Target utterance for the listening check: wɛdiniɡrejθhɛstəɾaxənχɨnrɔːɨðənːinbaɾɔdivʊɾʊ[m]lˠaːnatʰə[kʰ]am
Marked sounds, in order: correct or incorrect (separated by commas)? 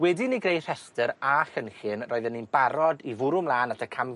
correct, correct